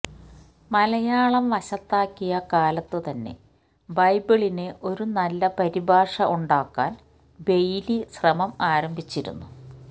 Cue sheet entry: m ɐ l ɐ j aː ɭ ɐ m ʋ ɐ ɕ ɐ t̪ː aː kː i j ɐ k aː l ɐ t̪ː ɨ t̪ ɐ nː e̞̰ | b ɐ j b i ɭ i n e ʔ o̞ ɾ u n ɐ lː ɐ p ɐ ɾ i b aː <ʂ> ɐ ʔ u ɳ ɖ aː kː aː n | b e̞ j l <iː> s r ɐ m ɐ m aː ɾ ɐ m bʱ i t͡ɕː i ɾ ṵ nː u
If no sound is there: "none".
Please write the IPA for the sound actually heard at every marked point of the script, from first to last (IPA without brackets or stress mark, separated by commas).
ʂ, i